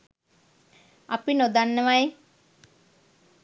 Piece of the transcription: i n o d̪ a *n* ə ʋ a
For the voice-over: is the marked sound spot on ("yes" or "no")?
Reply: no